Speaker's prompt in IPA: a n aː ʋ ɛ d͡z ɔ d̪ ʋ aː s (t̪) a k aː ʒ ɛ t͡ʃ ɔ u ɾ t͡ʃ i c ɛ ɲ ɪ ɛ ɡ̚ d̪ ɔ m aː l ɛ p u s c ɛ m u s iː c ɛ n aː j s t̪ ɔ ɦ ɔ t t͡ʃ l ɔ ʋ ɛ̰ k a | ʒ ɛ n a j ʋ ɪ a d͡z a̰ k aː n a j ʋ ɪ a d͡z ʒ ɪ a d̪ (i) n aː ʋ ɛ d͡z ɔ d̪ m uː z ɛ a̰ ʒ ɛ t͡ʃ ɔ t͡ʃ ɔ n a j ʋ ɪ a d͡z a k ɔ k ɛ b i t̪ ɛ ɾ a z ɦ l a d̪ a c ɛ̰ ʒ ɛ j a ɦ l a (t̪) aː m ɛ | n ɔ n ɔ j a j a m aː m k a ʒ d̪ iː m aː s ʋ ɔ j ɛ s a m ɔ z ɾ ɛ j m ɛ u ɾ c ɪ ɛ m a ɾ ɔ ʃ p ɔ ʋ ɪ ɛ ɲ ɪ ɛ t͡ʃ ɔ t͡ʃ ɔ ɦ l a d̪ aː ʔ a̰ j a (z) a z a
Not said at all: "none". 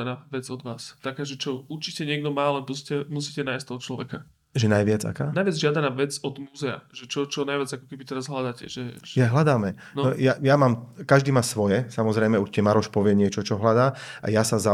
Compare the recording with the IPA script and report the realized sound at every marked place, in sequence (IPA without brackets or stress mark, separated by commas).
t̪, a, d̪, s